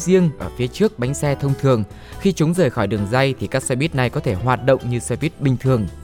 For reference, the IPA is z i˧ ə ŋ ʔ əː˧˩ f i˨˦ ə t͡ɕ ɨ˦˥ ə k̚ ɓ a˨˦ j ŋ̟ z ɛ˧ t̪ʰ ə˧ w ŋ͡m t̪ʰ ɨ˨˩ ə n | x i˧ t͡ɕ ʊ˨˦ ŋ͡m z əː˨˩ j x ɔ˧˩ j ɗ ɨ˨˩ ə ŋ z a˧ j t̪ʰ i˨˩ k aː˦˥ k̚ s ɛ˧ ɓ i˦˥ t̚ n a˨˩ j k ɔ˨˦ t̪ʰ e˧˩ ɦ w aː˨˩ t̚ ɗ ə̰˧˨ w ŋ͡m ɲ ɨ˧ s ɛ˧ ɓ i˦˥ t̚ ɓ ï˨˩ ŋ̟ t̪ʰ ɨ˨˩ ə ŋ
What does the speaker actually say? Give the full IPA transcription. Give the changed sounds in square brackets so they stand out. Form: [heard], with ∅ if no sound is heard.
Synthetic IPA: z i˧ ə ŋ ʔ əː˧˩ f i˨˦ ə t͡ɕ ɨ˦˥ ə k̚ ɓ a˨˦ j ŋ̟ [s] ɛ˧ t̪ʰ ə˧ w ŋ͡m t̪ʰ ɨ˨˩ ə [ŋ] | x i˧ t͡ɕ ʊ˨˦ ŋ͡m z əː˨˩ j x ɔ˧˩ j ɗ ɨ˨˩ ə ŋ z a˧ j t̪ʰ i˨˩ k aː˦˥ k̚ s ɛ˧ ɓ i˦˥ t̚ n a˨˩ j k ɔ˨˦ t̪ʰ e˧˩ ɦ w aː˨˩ t̚ ɗ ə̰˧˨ w ŋ͡m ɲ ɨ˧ s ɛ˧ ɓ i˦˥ t̚ ɓ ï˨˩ ŋ̟ t̪ʰ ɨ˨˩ ə ŋ